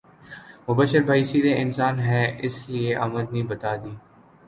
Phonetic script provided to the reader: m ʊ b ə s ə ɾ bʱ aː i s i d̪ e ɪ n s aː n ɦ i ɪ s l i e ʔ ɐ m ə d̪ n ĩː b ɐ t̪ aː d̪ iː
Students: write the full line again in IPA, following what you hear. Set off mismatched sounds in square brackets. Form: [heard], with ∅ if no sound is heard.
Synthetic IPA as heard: m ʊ b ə [ʃ] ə ɾ bʱ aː i s i d̪ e ɪ n s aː n ɦ [ɛ] ɪ s l i e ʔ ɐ m ə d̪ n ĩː b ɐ t̪ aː d̪ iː